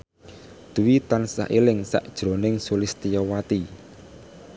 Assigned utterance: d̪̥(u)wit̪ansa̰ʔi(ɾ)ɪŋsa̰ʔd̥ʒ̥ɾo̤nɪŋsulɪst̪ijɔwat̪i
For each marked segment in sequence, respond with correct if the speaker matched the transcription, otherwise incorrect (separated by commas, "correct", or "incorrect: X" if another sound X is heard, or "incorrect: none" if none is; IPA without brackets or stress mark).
correct, incorrect: l